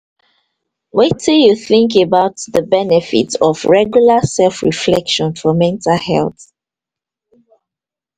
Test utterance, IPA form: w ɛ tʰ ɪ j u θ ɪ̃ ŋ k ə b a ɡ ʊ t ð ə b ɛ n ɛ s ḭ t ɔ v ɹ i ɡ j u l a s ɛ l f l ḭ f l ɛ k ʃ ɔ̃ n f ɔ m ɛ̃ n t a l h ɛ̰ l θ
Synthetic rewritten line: w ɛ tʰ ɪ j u θ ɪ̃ ŋ k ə b a ʊ t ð ə b ɛ n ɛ f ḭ t ɔ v ɹ ɛ ɡ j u l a s ɛ l f ɹ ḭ f l ɛ k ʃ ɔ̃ n f ɔ m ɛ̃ n t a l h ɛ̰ l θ